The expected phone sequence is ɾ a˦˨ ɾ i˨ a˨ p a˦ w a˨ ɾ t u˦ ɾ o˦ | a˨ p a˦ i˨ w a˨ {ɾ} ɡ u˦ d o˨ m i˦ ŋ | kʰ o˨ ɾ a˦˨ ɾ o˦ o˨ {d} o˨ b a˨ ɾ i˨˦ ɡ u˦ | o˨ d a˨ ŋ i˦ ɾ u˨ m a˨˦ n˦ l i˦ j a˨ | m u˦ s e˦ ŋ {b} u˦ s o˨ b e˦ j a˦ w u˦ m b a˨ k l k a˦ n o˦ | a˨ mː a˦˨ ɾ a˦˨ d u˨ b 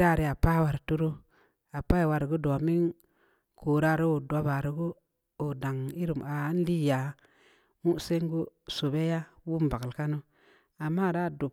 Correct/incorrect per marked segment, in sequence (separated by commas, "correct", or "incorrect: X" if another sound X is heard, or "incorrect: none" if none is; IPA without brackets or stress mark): correct, correct, incorrect: ɡ